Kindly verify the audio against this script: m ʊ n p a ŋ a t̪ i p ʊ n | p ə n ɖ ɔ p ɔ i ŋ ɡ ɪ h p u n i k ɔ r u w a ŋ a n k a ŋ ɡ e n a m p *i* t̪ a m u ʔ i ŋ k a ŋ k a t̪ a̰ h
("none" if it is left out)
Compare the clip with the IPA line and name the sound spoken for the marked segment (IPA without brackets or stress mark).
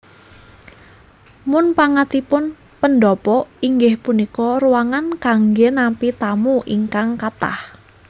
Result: i